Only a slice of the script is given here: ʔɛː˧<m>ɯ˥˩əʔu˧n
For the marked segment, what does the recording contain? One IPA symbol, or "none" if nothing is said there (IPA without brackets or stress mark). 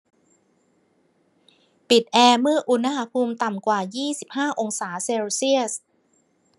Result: m